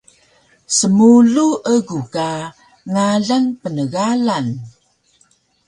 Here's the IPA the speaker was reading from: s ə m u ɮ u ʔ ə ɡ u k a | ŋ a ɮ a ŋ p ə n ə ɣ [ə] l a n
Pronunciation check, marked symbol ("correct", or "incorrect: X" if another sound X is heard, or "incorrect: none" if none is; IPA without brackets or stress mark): incorrect: a